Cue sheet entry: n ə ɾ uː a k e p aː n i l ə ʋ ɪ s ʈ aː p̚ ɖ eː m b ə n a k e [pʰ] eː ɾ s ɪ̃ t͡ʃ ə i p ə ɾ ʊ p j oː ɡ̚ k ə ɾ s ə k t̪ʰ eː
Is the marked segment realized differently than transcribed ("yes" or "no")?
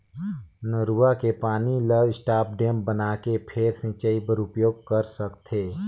no